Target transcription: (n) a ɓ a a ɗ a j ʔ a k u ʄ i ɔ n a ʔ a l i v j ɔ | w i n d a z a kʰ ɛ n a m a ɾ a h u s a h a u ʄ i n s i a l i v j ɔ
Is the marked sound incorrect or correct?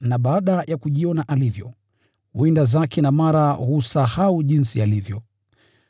correct